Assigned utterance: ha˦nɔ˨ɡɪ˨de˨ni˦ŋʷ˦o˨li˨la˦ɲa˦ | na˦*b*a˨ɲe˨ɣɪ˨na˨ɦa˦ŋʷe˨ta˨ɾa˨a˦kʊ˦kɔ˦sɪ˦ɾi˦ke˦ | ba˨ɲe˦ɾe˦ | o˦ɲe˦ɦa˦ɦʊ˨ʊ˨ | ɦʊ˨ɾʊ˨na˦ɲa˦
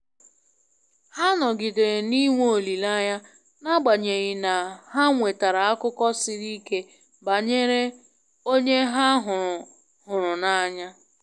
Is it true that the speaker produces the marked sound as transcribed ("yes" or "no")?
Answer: no